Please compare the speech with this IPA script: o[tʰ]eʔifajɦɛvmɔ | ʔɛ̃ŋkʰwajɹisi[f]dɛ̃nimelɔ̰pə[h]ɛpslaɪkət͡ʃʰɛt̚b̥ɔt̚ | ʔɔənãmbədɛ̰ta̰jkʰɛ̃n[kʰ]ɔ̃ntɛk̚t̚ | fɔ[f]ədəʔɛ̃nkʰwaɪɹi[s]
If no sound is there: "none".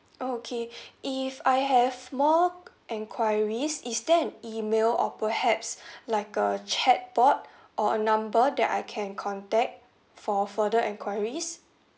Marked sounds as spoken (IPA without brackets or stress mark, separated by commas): kʰ, s, h, kʰ, f, s